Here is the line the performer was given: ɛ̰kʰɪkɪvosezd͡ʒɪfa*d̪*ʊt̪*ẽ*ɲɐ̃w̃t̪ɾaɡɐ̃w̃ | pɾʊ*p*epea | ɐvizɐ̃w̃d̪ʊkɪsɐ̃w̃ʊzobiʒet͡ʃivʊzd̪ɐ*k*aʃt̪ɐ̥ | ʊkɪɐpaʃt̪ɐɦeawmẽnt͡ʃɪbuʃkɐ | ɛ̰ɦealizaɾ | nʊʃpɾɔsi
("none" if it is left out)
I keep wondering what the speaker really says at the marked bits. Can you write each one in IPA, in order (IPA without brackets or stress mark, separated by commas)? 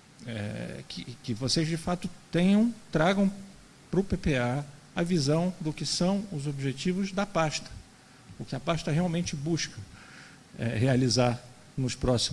t̪, ẽ, p, p